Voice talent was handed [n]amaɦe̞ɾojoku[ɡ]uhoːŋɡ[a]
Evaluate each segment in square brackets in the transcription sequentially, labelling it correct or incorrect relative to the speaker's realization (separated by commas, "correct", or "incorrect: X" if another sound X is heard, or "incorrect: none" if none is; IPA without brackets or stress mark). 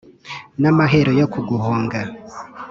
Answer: correct, correct, correct